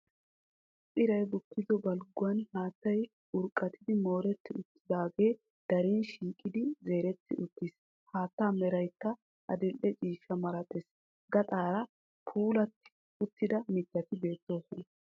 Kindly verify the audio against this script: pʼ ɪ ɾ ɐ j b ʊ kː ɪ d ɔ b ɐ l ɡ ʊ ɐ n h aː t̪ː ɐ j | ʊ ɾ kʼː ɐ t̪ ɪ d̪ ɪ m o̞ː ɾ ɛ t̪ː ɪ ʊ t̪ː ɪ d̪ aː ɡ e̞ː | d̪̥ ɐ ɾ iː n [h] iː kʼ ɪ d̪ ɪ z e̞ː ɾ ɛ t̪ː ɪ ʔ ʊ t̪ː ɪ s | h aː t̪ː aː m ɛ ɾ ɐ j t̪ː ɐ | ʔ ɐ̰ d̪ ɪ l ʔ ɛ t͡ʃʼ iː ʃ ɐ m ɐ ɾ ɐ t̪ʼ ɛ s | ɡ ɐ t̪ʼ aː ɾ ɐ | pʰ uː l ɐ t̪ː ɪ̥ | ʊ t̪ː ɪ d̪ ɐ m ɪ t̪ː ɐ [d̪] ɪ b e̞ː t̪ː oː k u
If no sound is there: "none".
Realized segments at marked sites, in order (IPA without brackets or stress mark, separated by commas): ʃ, t̪